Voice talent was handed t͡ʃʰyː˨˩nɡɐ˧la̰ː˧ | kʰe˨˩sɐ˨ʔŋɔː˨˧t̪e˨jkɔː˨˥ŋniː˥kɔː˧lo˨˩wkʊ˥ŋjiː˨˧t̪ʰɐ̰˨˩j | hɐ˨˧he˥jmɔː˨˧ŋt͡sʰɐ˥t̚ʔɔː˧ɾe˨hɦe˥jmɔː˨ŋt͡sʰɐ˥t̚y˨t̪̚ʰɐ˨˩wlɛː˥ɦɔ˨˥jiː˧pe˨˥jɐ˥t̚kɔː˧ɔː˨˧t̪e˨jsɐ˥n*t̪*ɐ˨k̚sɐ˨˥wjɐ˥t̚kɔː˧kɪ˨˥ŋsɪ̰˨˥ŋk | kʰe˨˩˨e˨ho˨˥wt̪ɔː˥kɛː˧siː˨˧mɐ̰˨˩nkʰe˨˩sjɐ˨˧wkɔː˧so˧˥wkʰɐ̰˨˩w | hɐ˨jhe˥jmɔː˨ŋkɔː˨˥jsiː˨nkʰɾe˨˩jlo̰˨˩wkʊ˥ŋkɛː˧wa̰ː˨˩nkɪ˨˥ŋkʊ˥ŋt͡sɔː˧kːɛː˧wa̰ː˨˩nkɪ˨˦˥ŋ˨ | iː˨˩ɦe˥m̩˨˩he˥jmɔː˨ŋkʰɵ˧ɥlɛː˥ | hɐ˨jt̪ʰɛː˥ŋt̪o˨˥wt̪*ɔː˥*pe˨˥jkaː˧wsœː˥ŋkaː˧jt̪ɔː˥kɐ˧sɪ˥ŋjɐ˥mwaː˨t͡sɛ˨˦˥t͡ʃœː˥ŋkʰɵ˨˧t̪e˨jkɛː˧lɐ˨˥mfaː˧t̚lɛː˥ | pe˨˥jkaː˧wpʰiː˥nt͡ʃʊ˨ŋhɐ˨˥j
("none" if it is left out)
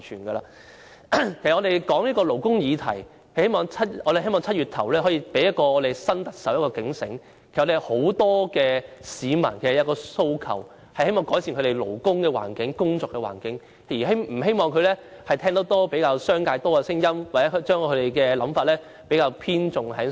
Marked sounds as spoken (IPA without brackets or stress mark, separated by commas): t̪, ɔː˥